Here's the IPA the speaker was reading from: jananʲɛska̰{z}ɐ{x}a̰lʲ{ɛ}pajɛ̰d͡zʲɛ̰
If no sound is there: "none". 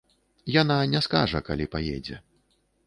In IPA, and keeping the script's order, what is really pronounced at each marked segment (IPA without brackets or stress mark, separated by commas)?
ʐ, k, i